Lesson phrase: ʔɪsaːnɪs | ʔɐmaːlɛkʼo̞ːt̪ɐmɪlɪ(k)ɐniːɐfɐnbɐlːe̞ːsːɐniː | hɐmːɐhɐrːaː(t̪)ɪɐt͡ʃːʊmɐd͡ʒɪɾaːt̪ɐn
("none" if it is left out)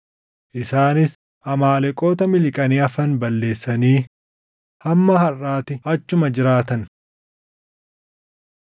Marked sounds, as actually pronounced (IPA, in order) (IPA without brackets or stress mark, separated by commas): kʼ, t̪